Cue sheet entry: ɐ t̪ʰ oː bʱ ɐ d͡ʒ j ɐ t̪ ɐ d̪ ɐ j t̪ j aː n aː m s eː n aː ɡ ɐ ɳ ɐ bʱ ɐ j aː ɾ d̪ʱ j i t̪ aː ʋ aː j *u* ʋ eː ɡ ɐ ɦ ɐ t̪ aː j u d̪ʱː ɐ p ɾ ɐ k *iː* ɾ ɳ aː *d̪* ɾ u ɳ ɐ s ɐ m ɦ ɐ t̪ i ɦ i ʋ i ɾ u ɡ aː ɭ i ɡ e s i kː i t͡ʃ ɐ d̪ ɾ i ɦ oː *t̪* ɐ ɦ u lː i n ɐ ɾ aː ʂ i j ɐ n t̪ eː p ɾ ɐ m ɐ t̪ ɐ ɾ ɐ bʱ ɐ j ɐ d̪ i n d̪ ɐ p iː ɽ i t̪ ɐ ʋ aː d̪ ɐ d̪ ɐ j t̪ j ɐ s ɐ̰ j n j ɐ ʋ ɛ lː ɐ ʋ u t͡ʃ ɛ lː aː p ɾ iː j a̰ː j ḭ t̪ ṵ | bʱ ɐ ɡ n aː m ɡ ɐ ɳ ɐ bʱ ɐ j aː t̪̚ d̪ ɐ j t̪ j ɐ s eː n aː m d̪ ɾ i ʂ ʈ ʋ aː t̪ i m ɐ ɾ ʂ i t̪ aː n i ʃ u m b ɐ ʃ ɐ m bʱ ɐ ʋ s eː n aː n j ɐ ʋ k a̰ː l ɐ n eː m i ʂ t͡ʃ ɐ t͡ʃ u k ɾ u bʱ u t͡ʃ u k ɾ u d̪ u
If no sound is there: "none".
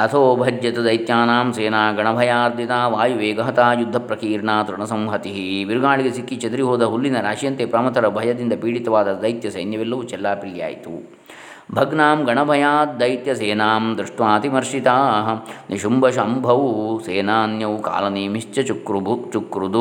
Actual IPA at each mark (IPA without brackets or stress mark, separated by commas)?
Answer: u, iː, t̪, d̪